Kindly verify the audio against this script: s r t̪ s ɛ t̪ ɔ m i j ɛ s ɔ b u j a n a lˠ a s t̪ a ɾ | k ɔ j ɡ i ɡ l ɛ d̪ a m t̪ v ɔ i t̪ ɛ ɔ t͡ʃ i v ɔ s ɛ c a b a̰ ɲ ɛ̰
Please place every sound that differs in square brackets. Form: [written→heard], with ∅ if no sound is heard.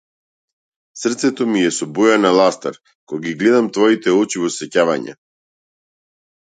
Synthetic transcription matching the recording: s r t̪ s ɛ t̪ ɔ m i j ɛ s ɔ b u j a n a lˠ a s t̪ a ɾ | k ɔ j ɡ i ɡ l ɛ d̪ a m t̪ v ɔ i t̪ ɛ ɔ t͡ʃ i v ɔ s ɛ c a [b→v] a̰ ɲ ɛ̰